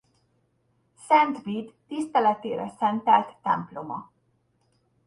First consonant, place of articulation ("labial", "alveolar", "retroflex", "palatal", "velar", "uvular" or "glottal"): alveolar